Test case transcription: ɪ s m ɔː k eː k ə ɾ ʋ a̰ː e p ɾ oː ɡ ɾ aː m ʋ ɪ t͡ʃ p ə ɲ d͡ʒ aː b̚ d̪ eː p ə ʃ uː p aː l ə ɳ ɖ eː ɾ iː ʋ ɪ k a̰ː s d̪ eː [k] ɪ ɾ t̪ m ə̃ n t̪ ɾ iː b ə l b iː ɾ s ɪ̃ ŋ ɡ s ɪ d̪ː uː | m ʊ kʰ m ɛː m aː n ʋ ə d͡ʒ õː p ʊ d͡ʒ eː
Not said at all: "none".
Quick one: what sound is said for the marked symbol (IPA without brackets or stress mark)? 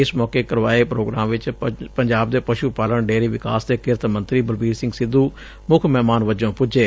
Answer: k